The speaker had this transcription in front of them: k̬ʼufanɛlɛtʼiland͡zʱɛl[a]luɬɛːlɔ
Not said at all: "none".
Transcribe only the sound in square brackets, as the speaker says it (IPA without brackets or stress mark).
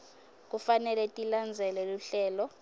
ɛ